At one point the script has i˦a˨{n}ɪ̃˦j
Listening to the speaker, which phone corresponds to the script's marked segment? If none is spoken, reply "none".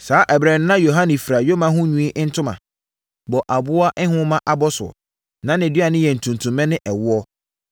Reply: n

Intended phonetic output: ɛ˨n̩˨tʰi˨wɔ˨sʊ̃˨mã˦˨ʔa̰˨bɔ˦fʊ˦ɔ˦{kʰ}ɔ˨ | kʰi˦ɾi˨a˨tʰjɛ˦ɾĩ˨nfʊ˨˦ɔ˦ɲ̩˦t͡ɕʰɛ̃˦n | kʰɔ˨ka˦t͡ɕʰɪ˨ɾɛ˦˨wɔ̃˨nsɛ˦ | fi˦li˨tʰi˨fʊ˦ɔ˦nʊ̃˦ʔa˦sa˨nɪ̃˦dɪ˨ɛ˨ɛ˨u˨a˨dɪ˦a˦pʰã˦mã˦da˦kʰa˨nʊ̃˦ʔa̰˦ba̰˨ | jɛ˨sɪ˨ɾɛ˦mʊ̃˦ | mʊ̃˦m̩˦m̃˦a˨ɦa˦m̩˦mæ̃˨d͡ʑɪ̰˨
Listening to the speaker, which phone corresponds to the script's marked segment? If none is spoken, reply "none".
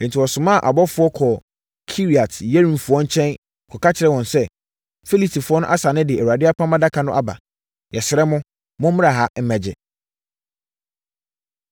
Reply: kʰ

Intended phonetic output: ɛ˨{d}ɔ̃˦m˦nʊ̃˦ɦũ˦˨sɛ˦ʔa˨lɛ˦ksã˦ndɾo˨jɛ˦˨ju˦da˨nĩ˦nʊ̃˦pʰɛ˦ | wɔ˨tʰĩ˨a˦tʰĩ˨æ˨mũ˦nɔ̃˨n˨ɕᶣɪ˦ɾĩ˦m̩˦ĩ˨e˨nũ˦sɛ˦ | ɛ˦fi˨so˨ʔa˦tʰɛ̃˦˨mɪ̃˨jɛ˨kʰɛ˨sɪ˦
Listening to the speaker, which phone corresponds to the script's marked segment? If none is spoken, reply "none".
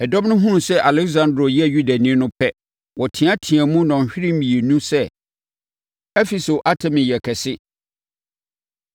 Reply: d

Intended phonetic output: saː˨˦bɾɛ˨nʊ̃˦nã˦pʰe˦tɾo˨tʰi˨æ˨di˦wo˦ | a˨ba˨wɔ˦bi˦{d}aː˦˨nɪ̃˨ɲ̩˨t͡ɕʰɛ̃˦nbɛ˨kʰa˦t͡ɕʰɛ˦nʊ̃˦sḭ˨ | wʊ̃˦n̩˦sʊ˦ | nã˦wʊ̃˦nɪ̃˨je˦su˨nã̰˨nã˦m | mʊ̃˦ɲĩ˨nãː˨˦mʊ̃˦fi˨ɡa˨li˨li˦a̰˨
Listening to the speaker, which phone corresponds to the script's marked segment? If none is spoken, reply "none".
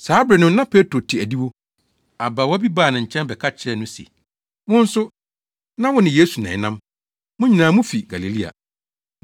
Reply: b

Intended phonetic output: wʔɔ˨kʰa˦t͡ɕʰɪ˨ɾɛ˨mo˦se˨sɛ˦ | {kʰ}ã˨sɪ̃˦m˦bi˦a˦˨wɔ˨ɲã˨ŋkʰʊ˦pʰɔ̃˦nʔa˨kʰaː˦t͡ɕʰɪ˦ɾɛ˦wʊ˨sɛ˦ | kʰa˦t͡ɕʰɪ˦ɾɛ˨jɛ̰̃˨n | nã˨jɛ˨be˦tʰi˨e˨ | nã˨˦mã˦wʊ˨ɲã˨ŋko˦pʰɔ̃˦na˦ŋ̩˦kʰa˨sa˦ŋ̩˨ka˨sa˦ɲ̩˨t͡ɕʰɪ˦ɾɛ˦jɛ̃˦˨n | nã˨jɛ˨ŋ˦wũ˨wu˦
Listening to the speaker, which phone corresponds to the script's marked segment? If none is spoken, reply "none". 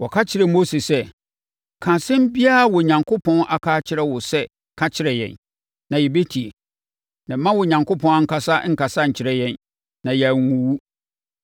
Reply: kʰ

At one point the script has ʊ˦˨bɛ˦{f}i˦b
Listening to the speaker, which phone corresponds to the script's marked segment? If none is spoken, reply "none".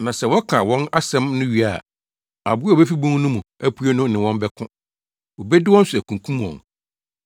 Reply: f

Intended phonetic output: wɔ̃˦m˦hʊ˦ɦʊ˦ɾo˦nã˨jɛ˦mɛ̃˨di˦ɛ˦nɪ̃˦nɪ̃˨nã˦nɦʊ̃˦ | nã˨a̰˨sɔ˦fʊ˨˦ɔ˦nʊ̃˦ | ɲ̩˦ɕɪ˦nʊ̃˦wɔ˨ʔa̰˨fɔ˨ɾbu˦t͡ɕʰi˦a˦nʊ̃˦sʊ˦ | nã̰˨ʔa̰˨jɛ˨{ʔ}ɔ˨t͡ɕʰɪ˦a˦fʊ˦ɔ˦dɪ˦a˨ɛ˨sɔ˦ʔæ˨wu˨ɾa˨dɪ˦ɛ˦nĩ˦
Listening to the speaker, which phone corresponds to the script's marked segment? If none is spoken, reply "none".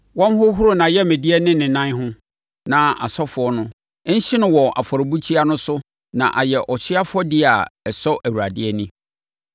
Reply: ʔ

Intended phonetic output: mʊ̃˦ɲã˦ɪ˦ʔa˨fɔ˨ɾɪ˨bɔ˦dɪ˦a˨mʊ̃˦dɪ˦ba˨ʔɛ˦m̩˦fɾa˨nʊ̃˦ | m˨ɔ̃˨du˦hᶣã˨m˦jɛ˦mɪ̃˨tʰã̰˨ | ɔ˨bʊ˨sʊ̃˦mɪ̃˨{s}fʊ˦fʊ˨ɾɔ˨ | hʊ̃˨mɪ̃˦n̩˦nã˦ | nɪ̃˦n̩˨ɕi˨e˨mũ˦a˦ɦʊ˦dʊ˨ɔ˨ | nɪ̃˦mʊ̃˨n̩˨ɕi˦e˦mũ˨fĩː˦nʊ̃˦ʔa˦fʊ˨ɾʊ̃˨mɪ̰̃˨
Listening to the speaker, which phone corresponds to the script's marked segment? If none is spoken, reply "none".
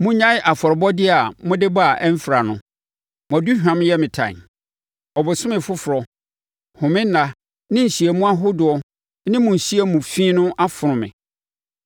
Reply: none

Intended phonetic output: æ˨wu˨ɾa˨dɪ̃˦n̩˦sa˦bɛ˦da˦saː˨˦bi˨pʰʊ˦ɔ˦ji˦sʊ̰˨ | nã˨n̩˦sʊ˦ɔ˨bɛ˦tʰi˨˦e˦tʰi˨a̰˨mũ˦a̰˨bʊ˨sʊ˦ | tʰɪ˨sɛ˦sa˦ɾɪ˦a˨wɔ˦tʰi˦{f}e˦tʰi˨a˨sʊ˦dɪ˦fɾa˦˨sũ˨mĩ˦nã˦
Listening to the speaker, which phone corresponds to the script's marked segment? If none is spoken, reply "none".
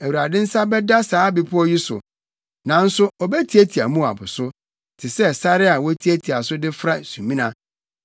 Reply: none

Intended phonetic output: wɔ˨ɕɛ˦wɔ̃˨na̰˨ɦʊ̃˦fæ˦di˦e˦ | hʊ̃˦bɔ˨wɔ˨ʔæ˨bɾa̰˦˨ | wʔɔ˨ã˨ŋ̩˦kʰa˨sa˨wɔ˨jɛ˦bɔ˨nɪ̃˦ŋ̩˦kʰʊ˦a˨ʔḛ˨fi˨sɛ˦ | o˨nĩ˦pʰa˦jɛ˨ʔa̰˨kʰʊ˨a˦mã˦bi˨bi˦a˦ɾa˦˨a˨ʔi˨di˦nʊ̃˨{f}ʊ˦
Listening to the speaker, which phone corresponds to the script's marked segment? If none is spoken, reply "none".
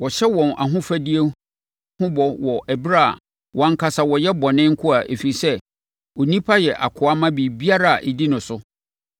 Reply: s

